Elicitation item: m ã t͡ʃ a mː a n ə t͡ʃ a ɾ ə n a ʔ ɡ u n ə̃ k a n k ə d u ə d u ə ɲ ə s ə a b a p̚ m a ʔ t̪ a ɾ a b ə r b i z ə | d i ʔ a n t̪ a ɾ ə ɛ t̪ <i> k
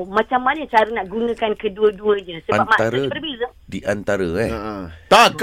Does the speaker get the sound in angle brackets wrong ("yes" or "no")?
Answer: yes